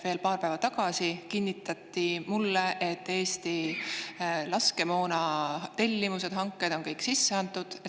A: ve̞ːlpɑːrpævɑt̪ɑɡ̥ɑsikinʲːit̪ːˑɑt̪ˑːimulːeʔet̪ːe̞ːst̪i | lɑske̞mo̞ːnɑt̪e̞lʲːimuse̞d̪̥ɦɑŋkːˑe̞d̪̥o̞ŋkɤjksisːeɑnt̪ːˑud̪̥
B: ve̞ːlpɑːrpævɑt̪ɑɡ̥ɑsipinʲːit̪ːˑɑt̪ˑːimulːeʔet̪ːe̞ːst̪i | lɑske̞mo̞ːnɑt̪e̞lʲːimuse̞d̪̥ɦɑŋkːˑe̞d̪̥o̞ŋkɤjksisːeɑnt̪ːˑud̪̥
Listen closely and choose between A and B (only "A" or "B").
A